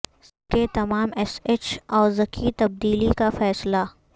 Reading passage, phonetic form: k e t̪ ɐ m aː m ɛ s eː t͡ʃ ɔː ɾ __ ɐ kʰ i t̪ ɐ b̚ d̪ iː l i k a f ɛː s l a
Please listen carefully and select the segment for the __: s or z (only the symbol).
z